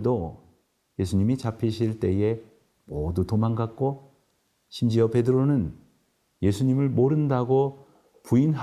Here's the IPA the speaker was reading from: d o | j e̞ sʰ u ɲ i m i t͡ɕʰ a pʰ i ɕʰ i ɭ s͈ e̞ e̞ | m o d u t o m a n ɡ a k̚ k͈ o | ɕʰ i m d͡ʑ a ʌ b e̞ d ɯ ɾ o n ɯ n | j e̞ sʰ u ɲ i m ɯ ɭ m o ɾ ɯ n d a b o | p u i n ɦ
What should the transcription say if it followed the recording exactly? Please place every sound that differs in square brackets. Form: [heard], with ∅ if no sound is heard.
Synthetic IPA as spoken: d o | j e̞ sʰ u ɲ i m i [t͡ɕ] a pʰ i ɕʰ i ɭ [t͈] e̞ e̞ | m o d u t o m a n ɡ a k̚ k͈ o | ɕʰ i m d͡ʑ [i] ʌ [p] e̞ d ɯ ɾ o n ɯ n | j e̞ sʰ u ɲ i m ɯ ɭ m o ɾ ɯ n d a [ɡ] o | p u i n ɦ